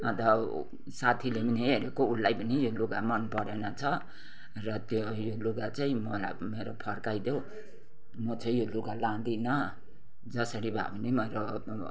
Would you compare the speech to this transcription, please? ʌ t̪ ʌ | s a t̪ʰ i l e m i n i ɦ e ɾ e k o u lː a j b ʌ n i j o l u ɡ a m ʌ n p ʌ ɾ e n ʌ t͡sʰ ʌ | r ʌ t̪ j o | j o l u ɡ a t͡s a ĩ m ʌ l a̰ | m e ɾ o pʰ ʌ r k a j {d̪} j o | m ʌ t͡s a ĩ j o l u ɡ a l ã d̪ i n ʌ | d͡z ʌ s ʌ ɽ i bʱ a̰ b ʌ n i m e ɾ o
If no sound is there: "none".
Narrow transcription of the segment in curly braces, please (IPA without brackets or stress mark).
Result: d̪